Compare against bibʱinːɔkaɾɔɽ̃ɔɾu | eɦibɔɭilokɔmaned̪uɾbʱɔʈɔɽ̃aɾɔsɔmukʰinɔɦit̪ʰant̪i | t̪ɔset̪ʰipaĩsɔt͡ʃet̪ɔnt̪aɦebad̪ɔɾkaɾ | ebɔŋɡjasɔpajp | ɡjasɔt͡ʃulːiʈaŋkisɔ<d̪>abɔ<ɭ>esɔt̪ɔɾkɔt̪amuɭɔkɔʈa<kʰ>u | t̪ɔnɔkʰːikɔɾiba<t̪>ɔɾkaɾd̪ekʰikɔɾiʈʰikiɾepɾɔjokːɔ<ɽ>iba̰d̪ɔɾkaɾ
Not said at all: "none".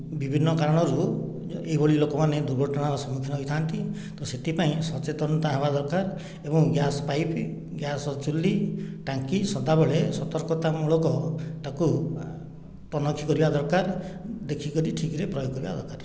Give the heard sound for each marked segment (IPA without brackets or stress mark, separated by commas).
d̪, ɭ, k, d̪, ɾ